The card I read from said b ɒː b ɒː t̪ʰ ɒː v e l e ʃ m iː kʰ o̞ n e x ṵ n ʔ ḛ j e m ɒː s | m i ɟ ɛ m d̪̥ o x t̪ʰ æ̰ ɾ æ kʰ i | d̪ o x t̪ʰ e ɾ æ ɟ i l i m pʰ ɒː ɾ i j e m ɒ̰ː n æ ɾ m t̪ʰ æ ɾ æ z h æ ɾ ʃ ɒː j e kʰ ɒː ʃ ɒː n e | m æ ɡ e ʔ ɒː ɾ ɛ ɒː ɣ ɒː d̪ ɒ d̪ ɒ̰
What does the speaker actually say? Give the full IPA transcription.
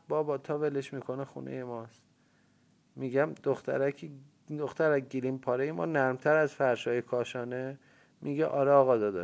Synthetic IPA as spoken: b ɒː b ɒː t̪ʰ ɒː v e l e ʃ m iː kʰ o̞ n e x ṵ n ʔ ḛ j e m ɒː s | m i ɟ æ m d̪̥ o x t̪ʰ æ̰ ɾ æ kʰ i | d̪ o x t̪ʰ æ ɾ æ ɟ i l i m pʰ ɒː ɾ e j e m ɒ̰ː n æ ɾ m t̪ʰ æ ɾ æ z f æ ɾ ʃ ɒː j e kʰ ɒː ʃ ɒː n e | m i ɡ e ʔ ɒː ɾ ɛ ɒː ɣ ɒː d̪ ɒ d̪ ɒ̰